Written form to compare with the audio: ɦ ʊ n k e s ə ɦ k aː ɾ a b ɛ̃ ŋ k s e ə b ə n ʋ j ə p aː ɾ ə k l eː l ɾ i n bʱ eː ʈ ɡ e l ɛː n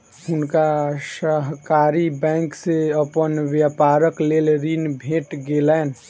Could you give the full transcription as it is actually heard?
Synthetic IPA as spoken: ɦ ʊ n k a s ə ɦ k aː ɾ i b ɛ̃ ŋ k s e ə p ə n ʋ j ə p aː ɾ ə k l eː l ɾ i n bʱ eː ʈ ɡ e l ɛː n